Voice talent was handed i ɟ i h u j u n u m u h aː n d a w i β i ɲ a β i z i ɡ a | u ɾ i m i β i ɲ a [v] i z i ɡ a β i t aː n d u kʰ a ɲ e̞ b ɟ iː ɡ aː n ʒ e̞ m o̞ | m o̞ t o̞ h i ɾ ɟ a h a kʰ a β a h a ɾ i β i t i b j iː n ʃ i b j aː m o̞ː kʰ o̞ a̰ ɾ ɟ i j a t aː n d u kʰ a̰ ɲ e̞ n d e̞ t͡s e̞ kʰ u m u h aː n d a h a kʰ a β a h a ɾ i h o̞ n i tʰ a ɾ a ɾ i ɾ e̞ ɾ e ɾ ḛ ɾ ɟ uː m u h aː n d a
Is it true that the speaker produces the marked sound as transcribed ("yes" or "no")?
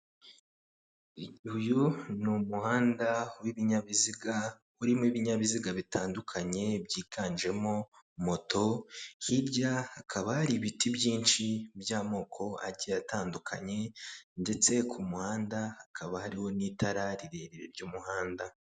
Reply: no